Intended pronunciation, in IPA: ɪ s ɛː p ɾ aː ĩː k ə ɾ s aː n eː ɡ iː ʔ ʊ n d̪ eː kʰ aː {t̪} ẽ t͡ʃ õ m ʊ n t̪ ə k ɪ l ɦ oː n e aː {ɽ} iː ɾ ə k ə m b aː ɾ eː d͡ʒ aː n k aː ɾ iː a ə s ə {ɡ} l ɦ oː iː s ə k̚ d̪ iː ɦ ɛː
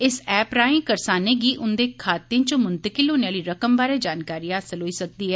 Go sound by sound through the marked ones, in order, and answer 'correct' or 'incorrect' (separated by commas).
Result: correct, incorrect, incorrect